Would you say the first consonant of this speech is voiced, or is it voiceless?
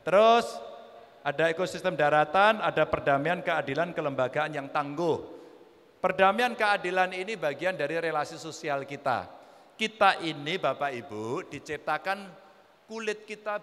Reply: voiceless